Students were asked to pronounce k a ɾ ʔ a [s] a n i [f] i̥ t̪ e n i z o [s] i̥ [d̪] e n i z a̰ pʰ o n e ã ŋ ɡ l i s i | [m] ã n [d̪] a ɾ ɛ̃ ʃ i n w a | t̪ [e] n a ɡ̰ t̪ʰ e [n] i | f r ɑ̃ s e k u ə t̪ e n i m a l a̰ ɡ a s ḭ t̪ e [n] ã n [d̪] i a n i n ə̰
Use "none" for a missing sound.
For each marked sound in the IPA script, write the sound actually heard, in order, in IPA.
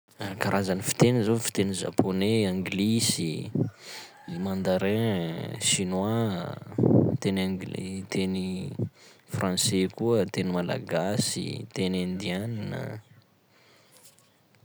z, f, f, t̪, m, d̪, e, n, n, d̪

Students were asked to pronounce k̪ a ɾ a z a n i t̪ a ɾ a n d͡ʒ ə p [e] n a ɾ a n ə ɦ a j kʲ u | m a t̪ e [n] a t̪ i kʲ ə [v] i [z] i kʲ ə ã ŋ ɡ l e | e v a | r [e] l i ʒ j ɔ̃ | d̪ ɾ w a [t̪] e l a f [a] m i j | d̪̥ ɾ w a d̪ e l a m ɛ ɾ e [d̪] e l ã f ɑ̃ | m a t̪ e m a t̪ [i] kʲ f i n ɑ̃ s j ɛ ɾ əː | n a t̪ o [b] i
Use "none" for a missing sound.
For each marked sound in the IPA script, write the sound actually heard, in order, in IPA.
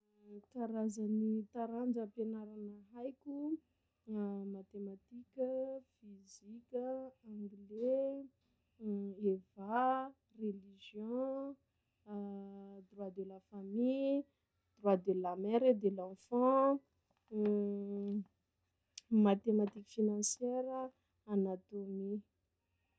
e, m, f, z, e, d̪, a, d̪, i, m

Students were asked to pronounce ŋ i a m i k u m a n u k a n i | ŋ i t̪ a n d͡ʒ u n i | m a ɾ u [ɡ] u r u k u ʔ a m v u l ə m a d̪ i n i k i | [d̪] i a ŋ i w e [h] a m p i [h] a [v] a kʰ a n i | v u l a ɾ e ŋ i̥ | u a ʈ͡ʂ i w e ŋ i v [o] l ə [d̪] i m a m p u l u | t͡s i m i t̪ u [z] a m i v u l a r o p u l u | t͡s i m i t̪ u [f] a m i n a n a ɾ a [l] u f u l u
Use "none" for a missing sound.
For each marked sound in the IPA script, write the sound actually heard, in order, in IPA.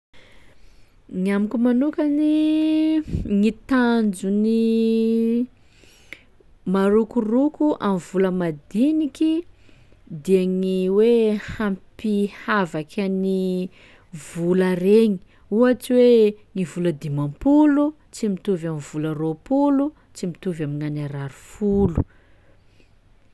k, d̪, h, h, v, u, d̪, v, v, ɾ

